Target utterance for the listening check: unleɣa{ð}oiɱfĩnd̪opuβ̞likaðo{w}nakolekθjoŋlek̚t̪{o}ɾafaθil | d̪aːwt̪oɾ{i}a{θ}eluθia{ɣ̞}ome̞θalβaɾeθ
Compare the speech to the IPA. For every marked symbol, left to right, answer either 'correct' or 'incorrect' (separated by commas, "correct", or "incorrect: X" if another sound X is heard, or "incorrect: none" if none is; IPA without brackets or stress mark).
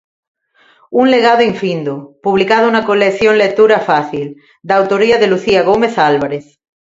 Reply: correct, incorrect: u, incorrect: u, correct, incorrect: ð, correct